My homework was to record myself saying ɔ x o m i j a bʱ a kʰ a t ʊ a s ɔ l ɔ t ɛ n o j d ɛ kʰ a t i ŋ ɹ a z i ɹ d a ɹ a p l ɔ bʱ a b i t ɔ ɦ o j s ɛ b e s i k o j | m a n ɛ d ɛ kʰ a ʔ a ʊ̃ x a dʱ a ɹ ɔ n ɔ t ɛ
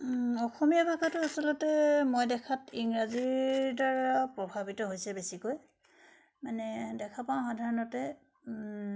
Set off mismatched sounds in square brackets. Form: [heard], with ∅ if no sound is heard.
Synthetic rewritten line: ɔ x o m i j a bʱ a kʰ a t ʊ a s ɔ l ɔ t ɛ [m] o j d ɛ kʰ a t i ŋ ɹ a z i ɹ d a ɹ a p [ɹ] ɔ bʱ a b i t ɔ ɦ o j s ɛ b e s i k o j | m a n ɛ d ɛ kʰ a [p] a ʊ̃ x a dʱ a ɹ ɔ n ɔ t ɛ